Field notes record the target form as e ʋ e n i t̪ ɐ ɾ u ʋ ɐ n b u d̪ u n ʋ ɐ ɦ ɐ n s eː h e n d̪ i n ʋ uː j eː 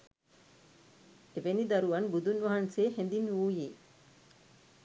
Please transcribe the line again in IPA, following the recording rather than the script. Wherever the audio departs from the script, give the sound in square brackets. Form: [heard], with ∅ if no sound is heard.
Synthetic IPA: e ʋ e n i [d̪] ɐ ɾ u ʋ ɐ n b u d̪ u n ʋ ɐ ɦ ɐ n s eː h e n d̪ i n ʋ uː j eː